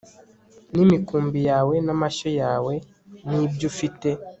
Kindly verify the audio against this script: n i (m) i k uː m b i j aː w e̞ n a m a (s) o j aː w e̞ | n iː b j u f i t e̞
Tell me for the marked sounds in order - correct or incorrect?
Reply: correct, incorrect: ʃ

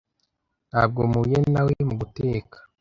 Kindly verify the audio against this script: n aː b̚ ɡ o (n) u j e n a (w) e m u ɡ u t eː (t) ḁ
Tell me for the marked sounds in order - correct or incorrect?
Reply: incorrect: m, correct, incorrect: k

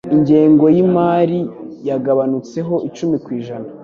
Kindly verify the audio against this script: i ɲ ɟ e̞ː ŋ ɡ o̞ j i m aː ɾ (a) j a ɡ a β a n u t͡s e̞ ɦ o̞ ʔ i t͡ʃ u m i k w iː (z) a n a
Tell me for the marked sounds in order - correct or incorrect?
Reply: incorrect: i, incorrect: ʒ

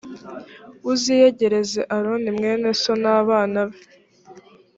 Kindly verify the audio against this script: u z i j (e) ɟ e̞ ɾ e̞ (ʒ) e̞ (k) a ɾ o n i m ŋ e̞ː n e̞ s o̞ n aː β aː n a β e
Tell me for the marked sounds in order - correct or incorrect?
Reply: correct, incorrect: z, incorrect: ʔ

